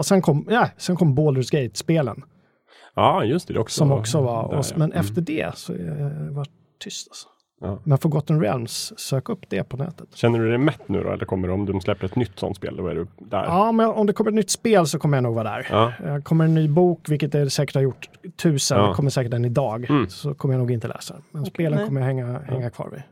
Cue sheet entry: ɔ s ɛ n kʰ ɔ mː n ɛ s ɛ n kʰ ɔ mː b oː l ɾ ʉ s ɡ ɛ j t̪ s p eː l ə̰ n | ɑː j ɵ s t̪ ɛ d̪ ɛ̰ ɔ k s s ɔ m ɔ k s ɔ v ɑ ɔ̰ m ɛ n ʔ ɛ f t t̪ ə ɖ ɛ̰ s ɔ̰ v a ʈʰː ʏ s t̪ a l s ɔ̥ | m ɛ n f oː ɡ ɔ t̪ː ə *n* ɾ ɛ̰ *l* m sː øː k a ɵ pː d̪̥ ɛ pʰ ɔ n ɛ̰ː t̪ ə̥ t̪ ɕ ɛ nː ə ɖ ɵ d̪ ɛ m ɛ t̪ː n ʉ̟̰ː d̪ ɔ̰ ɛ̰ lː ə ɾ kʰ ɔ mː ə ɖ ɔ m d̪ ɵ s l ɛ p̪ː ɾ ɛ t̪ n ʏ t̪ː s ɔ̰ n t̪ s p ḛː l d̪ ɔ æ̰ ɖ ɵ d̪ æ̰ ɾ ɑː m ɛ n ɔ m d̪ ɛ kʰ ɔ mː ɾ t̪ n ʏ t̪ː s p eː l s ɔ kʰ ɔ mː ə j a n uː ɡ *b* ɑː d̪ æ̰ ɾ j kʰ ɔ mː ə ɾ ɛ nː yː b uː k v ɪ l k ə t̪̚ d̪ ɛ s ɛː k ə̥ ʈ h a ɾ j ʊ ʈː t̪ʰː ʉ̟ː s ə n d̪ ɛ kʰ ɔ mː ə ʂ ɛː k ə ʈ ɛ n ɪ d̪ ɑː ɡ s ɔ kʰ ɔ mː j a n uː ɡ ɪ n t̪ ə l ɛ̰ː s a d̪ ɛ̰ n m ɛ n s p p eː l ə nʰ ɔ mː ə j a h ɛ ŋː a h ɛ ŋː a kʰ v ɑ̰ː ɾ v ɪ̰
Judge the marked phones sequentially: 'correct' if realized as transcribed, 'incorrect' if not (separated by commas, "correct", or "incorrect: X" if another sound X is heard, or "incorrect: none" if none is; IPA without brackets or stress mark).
correct, correct, incorrect: v